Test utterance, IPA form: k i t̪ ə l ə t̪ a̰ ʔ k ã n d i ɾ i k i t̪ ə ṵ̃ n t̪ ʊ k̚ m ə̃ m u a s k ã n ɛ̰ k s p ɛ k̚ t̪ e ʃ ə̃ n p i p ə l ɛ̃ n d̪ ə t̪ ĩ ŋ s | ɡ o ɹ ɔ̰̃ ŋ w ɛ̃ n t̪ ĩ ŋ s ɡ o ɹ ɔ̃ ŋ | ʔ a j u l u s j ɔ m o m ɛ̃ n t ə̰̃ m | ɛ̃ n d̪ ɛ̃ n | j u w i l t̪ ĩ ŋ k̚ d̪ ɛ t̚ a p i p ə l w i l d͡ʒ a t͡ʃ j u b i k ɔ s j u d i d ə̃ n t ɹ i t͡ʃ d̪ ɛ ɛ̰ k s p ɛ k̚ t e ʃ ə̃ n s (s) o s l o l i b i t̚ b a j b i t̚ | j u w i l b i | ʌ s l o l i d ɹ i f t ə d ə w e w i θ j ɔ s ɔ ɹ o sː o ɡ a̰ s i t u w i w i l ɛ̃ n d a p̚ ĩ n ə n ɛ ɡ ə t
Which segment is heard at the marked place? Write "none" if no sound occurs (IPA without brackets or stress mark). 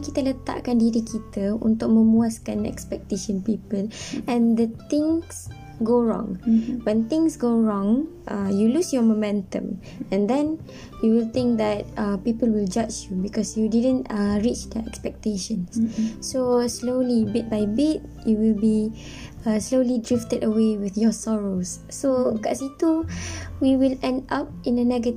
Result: s